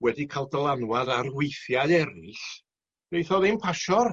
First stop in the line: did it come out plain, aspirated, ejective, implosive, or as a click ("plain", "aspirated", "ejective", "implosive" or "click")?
plain